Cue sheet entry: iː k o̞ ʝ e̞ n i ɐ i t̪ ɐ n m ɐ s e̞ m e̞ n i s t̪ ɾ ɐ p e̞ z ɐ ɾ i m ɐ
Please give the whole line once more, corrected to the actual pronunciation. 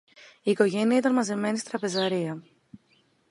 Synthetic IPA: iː k o̞ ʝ e̞ n i ɐ i t̪ ɐ n m ɐ z e̞ m e̞ n i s t̪ ɾ ɐ p e̞ z ɐ ɾ i ɐ